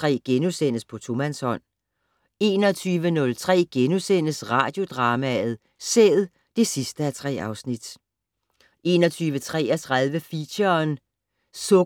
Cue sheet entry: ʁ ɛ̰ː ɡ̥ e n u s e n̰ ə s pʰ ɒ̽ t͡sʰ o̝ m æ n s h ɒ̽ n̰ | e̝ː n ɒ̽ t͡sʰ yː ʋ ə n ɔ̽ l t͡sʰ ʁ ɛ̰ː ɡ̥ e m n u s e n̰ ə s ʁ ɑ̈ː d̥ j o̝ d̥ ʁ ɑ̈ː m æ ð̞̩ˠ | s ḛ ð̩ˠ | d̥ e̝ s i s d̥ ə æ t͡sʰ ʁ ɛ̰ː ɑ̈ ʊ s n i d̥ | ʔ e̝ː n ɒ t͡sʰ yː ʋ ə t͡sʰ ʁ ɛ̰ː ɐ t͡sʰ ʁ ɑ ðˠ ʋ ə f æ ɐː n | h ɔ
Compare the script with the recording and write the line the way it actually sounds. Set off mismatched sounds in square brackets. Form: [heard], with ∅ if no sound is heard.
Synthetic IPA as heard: ʁ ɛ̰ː ɡ̥ e n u s e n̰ ə s pʰ ɒ̽ t͡sʰ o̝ m æ n s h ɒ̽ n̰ | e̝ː n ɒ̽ t͡sʰ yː ʋ ə n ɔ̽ l t͡sʰ ʁ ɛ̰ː ɡ̥ e [∅] n u s e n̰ ə s ʁ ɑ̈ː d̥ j o̝ d̥ ʁ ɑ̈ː m æ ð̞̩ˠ | s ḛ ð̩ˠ | d̥ e̝ s i s d̥ ə æ t͡sʰ ʁ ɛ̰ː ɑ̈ ʊ s n i d̥ | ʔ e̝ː n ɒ t͡sʰ yː ʋ ə t͡sʰ ʁ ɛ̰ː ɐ t͡sʰ ʁ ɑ ðˠ ʋ ə f [i] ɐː n | [s] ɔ